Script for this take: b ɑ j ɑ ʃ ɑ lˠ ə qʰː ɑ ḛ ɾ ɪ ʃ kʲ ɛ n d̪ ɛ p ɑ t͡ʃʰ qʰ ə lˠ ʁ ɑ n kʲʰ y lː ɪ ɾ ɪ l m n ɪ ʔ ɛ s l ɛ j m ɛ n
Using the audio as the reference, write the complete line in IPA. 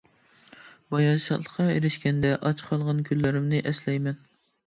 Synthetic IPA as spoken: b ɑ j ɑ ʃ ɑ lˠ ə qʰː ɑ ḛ ɾ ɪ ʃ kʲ ɛ n d̪ ɛ ʔ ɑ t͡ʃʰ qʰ ɑ lˠ ʁ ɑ n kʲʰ y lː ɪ ɾ ɪ m n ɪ ʔ ɛ s l ɛ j m ɛ n